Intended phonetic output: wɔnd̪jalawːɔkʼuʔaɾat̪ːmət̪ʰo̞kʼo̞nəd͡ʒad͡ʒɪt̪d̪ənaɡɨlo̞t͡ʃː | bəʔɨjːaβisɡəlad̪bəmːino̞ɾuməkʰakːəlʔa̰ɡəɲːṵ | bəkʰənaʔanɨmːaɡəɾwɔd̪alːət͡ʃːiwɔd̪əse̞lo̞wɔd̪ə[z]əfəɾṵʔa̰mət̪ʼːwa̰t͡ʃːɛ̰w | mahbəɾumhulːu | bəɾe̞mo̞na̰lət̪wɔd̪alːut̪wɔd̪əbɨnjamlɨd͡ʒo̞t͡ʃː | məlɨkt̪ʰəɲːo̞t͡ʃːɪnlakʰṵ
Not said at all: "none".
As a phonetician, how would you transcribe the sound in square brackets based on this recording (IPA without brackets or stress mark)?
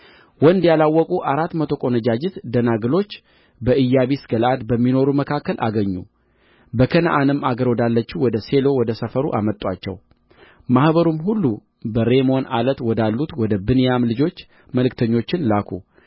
s